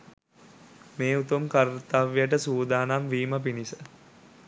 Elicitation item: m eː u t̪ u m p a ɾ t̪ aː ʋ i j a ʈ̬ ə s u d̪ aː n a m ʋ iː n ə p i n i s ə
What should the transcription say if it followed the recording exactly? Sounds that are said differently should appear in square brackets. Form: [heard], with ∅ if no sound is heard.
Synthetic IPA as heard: m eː u t̪ u m [k] a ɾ t̪ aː ʋ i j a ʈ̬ ə s [uː] d̪ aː n a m ʋ iː [m] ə p i n i s ə